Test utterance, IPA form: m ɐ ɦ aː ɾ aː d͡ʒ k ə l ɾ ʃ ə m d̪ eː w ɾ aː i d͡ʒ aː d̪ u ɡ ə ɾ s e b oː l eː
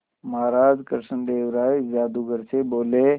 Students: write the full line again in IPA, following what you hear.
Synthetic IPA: m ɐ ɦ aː ɾ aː d͡ʒ k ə ɾ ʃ ə n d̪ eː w ɾ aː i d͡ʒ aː d̪ u ɡ ə ɾ s e b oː l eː

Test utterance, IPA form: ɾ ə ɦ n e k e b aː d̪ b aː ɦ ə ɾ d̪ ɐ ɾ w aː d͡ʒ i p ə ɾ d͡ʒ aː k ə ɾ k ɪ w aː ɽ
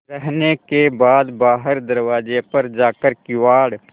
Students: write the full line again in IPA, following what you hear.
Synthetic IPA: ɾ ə ɦ n e k e b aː d̪ b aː ɦ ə ɾ d̪ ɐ ɾ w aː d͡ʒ e p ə ɾ d͡ʒ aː k ə ɾ k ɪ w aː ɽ

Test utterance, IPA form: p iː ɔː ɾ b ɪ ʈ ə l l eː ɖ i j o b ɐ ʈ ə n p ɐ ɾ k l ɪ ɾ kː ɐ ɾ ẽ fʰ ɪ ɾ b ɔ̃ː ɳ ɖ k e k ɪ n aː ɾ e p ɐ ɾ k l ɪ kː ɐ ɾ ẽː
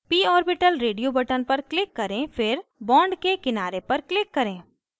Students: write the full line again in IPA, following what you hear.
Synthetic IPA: p iː ɔː ɾ b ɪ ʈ ə l ɾ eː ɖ i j o b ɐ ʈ ə n p ɐ ɾ k l ɪ kː ɐ ɾ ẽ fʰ ɪ ɾ b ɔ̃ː ɳ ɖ k e k ɪ n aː ɾ e p ɐ ɾ k l ɪ kː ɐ ɾ ẽː

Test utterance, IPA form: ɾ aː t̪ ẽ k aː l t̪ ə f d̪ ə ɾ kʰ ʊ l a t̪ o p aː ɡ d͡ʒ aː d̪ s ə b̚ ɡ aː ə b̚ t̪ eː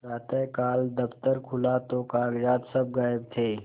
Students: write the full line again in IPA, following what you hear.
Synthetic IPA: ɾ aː t̪ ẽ k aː l d̪ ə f t̪ ə ɾ kʰ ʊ l a t̪ o k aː ɡ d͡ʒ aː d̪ s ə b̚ ɡ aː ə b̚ t̪ʰ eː

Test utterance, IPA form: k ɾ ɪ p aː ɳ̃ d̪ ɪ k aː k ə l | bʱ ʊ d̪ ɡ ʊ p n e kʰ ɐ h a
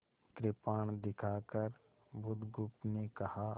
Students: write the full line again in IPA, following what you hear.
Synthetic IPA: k ɾ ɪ p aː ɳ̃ d̪ ɪ kʰ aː k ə ɾ | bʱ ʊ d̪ ɡ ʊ p n e k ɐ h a

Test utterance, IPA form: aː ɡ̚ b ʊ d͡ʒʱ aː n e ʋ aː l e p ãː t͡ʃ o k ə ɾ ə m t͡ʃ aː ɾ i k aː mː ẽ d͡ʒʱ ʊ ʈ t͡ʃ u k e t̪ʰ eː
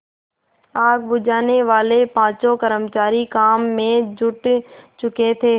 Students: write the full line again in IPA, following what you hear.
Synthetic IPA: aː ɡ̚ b ʊ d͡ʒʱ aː n e ʋ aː l e p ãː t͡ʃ o k ə ɾ ə m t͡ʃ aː ɾ i k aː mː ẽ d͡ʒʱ ʊ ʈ t͡ʃ ʊ k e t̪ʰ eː

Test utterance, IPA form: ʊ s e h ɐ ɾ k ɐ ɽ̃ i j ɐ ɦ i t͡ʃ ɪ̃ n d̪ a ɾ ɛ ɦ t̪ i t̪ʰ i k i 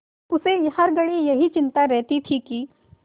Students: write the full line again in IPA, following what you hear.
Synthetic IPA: ʊ s e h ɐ ɾ ɡ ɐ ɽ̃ i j ɐ ɦ i t͡ʃ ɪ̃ n t̪ a ɾ ɛ ɦ t̪ i t̪ʰ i k i

